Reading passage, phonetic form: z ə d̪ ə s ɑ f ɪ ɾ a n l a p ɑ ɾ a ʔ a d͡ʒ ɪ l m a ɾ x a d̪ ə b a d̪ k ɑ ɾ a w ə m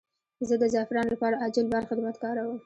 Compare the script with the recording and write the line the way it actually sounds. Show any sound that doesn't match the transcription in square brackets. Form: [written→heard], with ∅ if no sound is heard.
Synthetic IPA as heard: z ə d̪ ə [s→z] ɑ f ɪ ɾ [a→ɑ] n l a p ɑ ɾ a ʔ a d͡ʒ ɪ l [m→b] a ɾ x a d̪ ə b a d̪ k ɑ ɾ a w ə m